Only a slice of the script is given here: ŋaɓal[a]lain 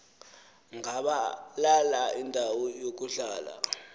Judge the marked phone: correct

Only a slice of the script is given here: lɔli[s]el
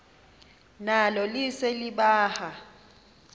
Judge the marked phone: correct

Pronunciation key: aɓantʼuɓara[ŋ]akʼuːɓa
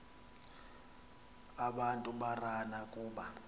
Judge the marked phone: incorrect: n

